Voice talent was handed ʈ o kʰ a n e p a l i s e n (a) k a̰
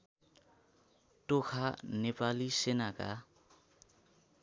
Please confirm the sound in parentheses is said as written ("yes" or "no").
yes